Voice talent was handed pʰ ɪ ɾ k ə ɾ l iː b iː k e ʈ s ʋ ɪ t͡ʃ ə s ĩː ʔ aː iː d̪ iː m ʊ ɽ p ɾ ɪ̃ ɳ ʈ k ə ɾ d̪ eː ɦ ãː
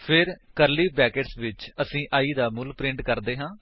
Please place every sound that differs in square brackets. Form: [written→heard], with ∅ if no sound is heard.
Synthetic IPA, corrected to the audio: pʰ ɪ ɾ k ə ɾ l iː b [iː→ɛː] k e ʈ s ʋ ɪ t͡ʃ ə s ĩː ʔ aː iː d̪ [iː→aː] m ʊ [ɽ→l] p ɾ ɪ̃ ɳ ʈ k ə ɾ d̪ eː ɦ ãː